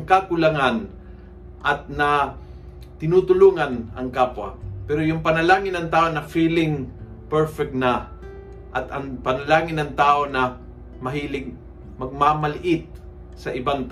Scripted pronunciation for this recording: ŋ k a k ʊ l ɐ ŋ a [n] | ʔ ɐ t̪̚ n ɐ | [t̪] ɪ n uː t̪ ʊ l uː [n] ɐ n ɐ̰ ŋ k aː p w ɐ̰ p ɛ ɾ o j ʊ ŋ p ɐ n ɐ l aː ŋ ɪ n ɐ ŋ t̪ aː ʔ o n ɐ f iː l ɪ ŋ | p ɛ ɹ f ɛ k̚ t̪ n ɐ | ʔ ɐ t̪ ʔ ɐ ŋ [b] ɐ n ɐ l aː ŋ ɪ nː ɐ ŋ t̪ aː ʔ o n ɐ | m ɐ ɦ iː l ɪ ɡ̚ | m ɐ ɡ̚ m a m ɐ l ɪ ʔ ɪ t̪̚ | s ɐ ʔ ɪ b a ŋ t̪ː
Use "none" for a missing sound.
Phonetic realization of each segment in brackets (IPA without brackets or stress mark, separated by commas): n, t̪, ŋ, p